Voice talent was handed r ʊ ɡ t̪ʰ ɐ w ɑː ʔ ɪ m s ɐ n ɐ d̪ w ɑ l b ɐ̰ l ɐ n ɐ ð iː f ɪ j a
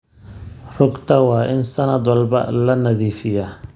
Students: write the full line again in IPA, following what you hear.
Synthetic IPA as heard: r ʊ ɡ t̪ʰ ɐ w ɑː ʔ ɪ n s ɐ n ɐ d̪ w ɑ l b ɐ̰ l ɐ n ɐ ð iː f ɪ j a